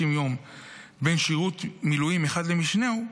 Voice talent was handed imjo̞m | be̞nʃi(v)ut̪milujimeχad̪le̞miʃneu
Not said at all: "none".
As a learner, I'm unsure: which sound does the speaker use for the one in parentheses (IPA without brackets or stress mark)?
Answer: ʁ